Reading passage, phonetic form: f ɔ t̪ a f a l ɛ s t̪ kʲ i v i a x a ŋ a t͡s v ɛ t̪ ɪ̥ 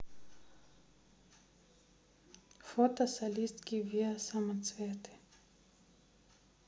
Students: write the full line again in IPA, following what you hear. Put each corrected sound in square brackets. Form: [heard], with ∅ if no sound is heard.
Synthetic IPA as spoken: f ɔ t̪ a [s] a l [i] s t̪ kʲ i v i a [s] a [m] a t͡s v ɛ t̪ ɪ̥

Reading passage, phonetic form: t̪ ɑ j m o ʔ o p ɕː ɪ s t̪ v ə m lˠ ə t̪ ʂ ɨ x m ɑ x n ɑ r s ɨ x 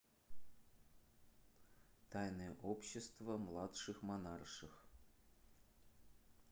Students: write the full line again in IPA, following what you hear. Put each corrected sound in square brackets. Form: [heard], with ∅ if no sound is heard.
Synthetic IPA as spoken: t̪ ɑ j [n] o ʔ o p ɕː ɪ s t̪ v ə m lˠ [ɑ] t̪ ʂ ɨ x m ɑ [∅] n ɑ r [ʂ] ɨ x

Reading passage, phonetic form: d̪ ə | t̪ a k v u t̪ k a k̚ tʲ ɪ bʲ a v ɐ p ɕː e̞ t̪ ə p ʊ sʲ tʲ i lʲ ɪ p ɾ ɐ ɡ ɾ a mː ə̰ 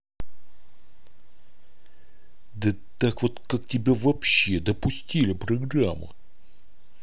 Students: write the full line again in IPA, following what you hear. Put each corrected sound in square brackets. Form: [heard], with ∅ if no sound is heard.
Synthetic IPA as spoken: d̪ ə | t̪ a k v [o] t̪ k a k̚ tʲ ɪ bʲ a v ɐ p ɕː e̞ [d̪] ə p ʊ sʲ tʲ i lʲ ɪ p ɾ ɐ ɡ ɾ a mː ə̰

